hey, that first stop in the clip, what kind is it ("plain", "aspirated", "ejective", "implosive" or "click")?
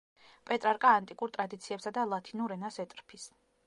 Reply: ejective